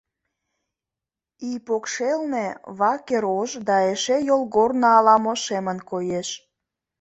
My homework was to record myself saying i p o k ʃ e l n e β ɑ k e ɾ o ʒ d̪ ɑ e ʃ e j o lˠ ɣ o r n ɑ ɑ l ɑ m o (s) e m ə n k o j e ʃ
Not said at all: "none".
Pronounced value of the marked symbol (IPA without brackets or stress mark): ʃ